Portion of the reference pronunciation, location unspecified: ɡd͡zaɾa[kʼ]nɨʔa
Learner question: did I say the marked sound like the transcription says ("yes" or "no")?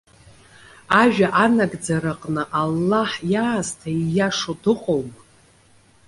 no